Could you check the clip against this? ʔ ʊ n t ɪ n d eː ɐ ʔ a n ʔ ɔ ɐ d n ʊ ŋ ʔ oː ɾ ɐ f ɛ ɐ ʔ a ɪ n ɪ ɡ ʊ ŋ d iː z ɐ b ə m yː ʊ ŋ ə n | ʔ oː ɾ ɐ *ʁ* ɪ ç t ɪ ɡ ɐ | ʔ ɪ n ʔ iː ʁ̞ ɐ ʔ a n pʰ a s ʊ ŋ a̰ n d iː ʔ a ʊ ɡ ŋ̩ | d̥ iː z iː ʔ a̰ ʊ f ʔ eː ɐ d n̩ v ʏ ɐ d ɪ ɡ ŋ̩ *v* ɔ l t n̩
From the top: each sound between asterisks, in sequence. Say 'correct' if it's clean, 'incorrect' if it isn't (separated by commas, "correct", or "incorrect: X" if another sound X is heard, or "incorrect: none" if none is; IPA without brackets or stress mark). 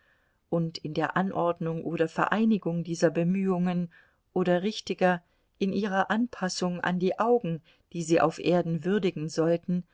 correct, incorrect: z